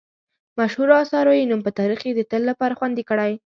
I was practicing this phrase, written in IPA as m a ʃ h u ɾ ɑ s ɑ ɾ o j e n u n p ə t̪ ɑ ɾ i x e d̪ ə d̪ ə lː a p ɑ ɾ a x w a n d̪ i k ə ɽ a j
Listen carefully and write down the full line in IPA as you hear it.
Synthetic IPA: m a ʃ h u ɾ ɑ s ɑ ɾ o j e n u m p ə t̪ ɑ ɾ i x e d̪ ə t̪ ə lː a p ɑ ɾ a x w a n d̪ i k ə ɽ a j